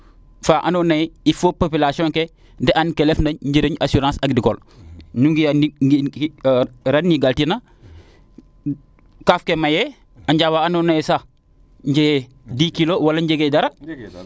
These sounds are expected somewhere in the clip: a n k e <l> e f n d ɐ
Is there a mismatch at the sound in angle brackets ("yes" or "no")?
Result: no